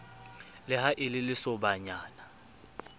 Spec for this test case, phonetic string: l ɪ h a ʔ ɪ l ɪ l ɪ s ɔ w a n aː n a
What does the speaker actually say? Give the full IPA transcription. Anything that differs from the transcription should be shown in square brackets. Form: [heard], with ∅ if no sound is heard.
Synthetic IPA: l ɪ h a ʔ ɪ l ɪ l ɪ s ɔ [b] a [ɲ] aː n a